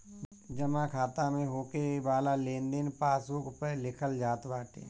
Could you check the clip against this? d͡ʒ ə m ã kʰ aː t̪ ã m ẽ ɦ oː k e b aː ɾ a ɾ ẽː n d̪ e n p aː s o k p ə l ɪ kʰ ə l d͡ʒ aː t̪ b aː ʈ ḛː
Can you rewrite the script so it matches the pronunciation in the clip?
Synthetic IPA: d͡ʒ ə m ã kʰ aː t̪ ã m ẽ ɦ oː k e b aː l a l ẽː n d̪ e n p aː s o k p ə l ɪ kʰ ə l d͡ʒ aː t̪ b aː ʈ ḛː